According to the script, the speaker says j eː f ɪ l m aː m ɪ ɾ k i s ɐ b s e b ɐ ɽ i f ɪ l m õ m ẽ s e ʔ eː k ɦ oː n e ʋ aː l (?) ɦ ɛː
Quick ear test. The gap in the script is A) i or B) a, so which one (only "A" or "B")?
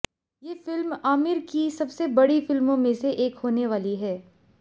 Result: A